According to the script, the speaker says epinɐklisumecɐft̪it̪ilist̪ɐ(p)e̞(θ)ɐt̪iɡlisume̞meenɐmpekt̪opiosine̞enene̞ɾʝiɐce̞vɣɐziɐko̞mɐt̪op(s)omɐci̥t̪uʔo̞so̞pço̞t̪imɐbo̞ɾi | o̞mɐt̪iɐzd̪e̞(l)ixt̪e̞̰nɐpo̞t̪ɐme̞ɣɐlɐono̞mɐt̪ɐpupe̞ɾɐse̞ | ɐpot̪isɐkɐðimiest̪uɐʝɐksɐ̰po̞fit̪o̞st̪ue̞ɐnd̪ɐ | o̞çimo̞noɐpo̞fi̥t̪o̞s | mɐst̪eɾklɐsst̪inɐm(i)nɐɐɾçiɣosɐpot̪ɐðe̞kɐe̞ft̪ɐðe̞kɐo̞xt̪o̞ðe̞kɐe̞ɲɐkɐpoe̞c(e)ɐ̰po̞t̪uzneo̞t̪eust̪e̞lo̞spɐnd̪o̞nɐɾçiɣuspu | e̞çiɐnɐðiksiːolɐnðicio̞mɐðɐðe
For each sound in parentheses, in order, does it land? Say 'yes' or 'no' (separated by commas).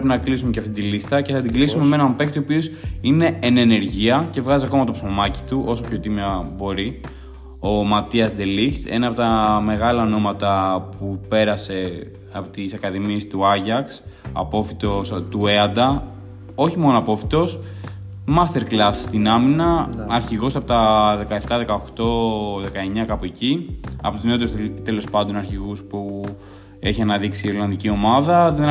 no, yes, yes, yes, yes, no